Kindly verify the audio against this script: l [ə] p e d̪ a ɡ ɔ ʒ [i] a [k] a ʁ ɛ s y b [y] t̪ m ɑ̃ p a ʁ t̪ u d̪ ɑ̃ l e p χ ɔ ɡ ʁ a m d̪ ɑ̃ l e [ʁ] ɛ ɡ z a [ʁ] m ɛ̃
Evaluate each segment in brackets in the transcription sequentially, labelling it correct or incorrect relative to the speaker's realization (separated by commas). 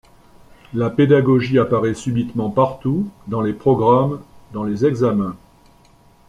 incorrect, correct, incorrect, incorrect, incorrect, incorrect